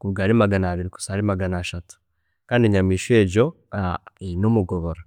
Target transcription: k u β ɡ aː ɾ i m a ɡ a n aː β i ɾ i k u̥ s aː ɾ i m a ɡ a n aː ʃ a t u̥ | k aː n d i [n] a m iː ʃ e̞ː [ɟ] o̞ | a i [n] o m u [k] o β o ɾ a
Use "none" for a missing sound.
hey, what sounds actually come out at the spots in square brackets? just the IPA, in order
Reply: ɲ, ɟ, n, ɡ

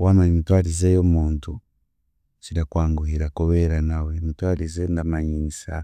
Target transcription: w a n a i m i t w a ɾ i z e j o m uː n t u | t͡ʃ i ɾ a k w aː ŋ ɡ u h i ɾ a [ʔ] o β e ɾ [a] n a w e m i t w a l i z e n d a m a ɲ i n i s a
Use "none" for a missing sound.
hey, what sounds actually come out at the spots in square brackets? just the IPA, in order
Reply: k, a

